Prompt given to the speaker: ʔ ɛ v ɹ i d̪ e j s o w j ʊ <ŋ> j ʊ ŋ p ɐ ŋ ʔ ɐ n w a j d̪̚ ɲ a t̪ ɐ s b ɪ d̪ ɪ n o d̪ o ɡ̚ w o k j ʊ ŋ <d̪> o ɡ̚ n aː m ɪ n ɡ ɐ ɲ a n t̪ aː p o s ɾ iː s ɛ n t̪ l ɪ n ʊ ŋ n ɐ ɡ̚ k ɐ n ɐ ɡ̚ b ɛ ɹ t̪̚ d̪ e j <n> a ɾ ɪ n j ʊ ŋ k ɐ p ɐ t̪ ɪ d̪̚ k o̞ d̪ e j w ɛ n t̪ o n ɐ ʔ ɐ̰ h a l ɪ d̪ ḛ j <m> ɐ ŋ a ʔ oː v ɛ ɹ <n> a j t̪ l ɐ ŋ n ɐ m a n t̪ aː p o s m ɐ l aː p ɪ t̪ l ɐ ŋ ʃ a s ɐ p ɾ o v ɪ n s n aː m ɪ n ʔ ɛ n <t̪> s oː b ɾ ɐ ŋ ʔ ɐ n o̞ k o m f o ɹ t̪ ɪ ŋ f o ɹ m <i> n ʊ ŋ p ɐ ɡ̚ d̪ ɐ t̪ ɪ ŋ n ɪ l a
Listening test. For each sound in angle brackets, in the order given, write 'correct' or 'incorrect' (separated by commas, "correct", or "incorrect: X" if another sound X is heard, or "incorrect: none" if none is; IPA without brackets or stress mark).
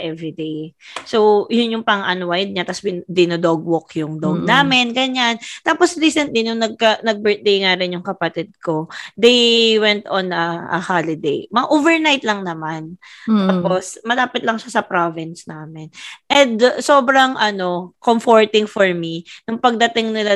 incorrect: n, correct, incorrect: ŋ, correct, correct, incorrect: d̪, correct